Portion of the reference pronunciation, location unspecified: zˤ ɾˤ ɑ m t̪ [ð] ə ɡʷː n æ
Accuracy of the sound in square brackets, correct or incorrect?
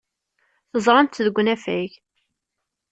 correct